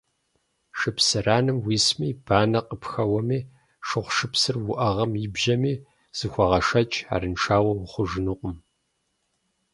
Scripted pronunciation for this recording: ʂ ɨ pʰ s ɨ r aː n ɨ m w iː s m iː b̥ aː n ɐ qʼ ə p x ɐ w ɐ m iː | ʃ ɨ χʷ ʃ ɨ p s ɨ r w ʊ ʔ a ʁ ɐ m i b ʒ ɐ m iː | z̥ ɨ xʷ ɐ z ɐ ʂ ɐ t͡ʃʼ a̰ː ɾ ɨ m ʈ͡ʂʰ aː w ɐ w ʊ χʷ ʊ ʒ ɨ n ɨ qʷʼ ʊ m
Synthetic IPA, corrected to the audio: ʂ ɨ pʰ s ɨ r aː n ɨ m w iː s m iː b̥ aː n ɐ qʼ ə p x ɐ w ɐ m iː | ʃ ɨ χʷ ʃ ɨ p s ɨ r w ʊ ʔ ɐ ʁ ɐ m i b ʒ ɐ m iː | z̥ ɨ xʷ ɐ ʁ ɐ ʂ ɐ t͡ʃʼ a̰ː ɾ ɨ n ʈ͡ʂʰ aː w ɐ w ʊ χʷ ʊ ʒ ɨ n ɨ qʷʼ ʊ m